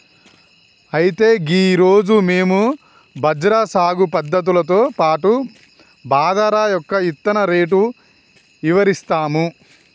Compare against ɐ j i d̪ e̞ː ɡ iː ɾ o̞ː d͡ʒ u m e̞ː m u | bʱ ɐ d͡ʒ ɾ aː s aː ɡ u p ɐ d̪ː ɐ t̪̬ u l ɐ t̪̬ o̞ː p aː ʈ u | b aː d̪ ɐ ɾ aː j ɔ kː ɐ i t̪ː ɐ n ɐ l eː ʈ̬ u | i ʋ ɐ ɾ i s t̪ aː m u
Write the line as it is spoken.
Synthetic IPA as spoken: ɐ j i t̪ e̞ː ɡ iː ɾ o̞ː d͡ʒ u m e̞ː m u | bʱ ɐ d͡ʒ ɾ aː s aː ɡ u p ɐ d̪ː ɐ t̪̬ u l ɐ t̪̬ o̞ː p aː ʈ u | b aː d̪ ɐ ɾ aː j ɔ kː ɐ i t̪ː ɐ n ɐ ɾ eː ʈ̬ u | i ʋ ɐ ɾ i s t̪ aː m u

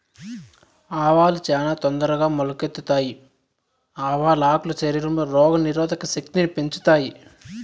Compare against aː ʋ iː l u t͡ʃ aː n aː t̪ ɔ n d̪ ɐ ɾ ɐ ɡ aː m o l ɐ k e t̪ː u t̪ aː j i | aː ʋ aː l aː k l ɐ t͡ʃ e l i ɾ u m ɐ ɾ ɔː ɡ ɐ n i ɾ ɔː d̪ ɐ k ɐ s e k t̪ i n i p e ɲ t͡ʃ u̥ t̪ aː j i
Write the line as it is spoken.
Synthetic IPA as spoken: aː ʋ aː l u t͡ʃ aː n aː t̪ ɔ n d̪ ɐ ɾ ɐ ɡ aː m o l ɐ k e t̪ː u t̪ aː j i | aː ʋ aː l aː k l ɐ t͡ʃ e ɾ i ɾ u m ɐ ɾ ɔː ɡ ɐ n i ɾ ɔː d̪ ɐ k ɐ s e k t̪ i n i p e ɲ t͡ʃ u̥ t̪ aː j i

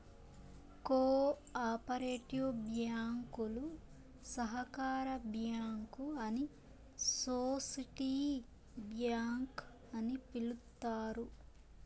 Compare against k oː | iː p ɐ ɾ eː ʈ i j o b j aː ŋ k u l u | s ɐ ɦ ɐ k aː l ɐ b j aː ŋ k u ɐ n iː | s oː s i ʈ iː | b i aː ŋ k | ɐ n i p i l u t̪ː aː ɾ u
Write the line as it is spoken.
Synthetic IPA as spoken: k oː | aː p ɐ ɾ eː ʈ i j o b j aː ŋ k u l u | s ɐ ɦ ɐ k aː ɾ ɐ b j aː ŋ k u ɐ n i | s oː s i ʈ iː | b j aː ŋ k | ɐ n i p i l u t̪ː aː ɾ u

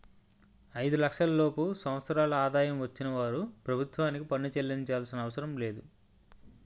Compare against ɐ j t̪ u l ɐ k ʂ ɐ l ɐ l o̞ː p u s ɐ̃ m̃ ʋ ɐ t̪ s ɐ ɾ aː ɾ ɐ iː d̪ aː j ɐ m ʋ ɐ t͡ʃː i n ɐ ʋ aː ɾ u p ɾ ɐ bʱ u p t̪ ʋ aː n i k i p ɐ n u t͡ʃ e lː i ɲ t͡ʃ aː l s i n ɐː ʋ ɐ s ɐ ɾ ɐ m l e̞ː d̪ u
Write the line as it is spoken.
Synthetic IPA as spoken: ɐ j d̪ u l ɐ k ʂ ɐ l ɐ l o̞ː p u s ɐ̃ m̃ ʋ ɐ t̪ s ɐ ɾ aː l ɐ aː d̪ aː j ɐ m ʋ ɐ t͡ʃː i n ɐ ʋ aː ɾ u p ɾ ɐ bʱ u t̪ ʋ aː n i k i p ɐ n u t͡ʃ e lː i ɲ t͡ʃ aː l s i n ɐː ʋ ɐ s ɐ ɾ ɐ m l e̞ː d̪ u

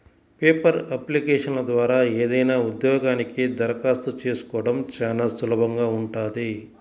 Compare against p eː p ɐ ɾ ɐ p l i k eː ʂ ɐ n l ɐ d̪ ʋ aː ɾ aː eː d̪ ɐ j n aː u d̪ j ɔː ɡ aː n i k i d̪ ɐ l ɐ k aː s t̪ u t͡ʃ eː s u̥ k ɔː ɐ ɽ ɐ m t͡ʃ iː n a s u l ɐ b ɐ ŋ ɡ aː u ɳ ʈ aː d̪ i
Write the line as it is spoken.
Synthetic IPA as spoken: p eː p ɐ ɾ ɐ p l i k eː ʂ ɐ n l ɐ d̪ ʋ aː ɾ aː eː d̪ ɐ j n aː u d̪ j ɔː ɡ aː n i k i d̪ ɐ ɾ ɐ k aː s t̪ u t͡ʃ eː s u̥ k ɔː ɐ ɽ ɐ m t͡ʃ aː n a s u l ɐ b ɐ ŋ ɡ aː u ɳ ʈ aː d̪ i

